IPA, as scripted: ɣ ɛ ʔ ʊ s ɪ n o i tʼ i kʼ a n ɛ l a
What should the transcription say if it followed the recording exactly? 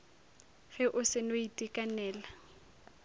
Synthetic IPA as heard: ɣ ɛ ʔ ʊ s ɪ n o i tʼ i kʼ a n ɛː l a